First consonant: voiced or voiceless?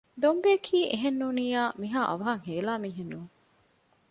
voiced